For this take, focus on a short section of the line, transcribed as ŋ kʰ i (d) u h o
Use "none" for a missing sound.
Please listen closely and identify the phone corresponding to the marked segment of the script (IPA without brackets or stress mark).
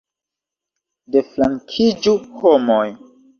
d͡ʒ